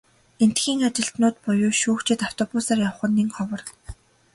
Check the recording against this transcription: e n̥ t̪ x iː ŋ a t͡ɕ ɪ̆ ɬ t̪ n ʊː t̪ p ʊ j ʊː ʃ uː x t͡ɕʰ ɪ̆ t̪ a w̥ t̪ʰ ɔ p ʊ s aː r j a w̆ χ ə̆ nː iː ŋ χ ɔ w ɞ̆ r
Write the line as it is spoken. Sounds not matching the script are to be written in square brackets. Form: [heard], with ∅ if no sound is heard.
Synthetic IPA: e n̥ t̪ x iː ŋ a t͡ɕ ɪ̆ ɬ t̪ n ʊː t̪ p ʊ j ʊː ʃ uː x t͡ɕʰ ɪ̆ t̪ a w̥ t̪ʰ ɔ p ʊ s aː r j a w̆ χ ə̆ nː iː ŋ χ ɔ w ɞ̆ r